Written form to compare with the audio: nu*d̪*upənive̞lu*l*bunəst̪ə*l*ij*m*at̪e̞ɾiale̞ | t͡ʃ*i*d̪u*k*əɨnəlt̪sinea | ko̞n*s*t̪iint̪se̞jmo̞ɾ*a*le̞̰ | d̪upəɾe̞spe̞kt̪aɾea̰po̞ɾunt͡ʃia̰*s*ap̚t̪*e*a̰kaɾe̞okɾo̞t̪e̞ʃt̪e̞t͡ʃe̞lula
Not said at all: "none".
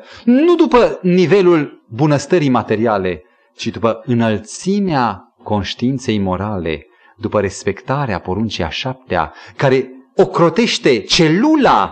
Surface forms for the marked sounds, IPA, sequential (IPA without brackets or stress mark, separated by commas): d̪, l, ɾ, m, i, p, ʃ, a, ʃ, e